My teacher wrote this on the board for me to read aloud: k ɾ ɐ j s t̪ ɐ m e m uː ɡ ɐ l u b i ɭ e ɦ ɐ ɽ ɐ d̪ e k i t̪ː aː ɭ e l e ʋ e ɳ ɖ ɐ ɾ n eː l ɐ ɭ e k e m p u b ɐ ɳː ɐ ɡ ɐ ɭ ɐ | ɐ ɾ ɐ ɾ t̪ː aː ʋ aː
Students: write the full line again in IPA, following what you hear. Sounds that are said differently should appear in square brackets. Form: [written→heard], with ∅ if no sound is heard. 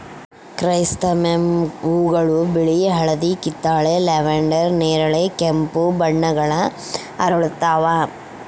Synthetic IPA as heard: k ɾ ɐ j s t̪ ɐ m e m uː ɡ ɐ [l→ɭ] u b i ɭ [e→i] ɦ ɐ [ɽ→ɭ] ɐ d̪ [e→i] k i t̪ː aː ɭ e l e ʋ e ɳ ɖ ɐ ɾ n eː [l→ɾ] ɐ ɭ e k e m p u b ɐ ɳː ɐ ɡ ɐ ɭ ɐ | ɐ ɾ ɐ [ɾ→ɭ] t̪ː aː ʋ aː

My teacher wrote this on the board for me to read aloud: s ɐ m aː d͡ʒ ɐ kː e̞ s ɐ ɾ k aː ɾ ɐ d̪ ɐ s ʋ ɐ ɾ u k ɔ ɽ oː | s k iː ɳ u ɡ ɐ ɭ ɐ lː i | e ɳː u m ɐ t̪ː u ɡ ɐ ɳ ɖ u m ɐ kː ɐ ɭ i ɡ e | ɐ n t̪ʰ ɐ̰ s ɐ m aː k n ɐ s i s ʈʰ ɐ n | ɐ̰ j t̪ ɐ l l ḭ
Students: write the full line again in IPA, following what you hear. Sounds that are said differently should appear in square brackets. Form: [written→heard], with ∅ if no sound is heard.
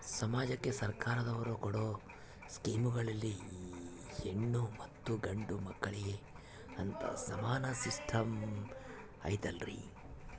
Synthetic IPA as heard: s ɐ m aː d͡ʒ ɐ kː e̞ s ɐ ɾ k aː ɾ ɐ d̪ ɐ [s→∅] ʋ ɐ ɾ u k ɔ ɽ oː | s k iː [ɳ→m] u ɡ ɐ ɭ ɐ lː i | e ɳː u m ɐ t̪ː u ɡ ɐ ɳ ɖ u m ɐ kː ɐ ɭ i ɡ e | ɐ n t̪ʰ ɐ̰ s ɐ m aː [k→∅] n ɐ s i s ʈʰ ɐ [n→m] | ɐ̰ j t̪ ɐ l [l→ɾ] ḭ

